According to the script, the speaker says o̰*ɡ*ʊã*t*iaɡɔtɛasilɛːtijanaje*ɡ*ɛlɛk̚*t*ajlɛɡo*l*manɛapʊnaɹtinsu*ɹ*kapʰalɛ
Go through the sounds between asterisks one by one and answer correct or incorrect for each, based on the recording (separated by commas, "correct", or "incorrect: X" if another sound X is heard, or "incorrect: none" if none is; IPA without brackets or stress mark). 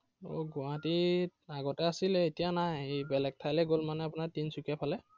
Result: correct, correct, incorrect: b, incorrect: tʰ, correct, incorrect: none